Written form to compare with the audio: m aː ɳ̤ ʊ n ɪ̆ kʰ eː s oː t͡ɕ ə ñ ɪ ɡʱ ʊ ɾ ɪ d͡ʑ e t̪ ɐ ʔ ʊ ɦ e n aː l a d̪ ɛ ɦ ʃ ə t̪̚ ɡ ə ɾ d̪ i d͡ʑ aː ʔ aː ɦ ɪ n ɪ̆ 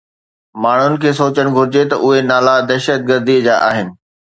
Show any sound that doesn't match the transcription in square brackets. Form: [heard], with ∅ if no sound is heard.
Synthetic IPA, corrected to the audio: m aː ɳ̤ ʊ n ɪ̆ kʰ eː s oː t͡ɕ ə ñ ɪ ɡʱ ʊ ɾ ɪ d͡ʑ e t̪ ɐ ʔ ʊ ɦ e n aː l a d̪ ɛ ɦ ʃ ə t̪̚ ɡ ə ɾ d̪ i d͡ʑ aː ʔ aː ɦ ɪ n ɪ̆